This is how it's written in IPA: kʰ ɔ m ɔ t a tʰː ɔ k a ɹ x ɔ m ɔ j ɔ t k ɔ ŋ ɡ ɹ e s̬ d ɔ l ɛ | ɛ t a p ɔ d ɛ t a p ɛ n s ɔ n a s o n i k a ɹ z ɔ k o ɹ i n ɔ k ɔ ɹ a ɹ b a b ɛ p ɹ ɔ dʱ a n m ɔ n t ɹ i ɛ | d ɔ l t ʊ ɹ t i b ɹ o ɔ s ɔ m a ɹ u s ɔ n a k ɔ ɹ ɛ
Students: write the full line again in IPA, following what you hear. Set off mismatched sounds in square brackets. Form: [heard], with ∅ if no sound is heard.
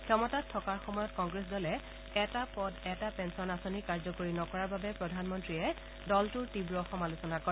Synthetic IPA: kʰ ɔ m ɔ t a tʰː ɔ k a ɹ x ɔ m ɔ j ɔ t k ɔ ŋ ɡ ɹ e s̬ d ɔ l ɛ | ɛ t a p ɔ d ɛ t a p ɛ n s ɔ n a s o n i k a ɹ z ɔ k o ɹ i n ɔ k ɔ ɹ a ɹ b a b ɛ p ɹ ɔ dʱ a n m ɔ n t ɹ i ɛ | d ɔ l t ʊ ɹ t i b ɹ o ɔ [x] ɔ m a [l] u s ɔ n a k ɔ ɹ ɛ